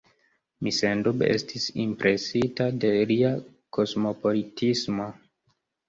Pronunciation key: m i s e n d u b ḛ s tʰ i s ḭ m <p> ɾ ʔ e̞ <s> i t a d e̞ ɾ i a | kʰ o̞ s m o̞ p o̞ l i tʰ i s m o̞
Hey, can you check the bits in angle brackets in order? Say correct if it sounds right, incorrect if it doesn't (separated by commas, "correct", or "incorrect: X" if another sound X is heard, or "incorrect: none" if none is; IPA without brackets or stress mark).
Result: correct, correct